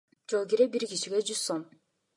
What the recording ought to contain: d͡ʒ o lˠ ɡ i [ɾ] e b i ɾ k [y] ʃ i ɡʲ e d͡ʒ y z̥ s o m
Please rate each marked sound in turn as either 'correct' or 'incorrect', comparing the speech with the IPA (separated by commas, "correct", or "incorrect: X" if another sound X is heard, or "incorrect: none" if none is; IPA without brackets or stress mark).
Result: correct, incorrect: i